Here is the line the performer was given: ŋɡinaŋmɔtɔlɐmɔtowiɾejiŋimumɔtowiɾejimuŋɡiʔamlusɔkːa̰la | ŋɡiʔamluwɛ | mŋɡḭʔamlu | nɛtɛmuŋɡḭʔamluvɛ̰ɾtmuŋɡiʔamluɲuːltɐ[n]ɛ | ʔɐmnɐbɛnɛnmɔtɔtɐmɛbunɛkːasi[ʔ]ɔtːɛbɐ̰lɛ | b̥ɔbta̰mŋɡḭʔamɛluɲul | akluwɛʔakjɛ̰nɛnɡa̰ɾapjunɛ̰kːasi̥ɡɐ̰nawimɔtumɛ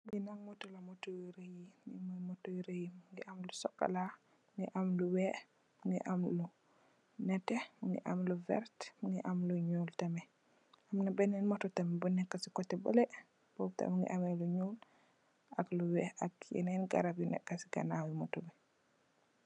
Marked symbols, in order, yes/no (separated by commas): no, no